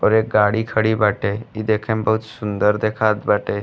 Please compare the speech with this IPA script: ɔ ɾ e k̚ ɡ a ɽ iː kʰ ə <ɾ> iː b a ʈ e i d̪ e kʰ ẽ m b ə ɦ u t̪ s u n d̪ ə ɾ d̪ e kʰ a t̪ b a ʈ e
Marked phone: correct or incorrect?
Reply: incorrect